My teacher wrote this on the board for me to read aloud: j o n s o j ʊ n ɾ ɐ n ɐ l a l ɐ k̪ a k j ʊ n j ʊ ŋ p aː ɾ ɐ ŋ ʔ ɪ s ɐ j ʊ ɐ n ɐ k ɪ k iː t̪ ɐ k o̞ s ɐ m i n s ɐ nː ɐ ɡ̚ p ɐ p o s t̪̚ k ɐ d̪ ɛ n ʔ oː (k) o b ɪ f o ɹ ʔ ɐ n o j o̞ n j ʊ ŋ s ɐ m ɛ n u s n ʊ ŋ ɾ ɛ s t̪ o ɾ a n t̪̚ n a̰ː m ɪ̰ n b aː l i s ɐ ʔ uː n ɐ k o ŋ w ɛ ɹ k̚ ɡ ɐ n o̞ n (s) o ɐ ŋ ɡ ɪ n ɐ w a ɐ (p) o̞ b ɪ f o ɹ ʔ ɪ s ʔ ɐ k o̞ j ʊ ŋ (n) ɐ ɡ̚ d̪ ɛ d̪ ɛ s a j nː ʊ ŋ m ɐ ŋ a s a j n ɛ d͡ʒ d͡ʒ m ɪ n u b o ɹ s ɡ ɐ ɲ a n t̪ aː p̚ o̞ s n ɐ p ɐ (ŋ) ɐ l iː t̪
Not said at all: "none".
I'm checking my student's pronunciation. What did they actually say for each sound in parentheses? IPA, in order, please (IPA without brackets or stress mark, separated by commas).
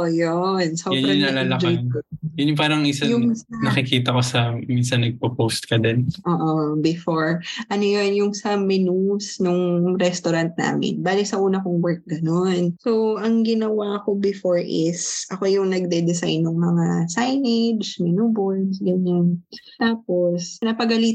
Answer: ʔ, s, k, n, ɡ